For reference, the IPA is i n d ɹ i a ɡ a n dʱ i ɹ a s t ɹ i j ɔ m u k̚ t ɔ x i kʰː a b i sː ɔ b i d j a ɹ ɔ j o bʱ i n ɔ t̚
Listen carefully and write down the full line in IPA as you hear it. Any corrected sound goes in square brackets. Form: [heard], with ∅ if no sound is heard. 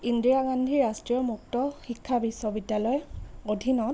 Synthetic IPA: i n d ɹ i a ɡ a n dʱ i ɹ a s t ɹ i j ɔ m u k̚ t ɔ x i kʰː a b i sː ɔ b i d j a [l] ɔ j o [dʱ] i n ɔ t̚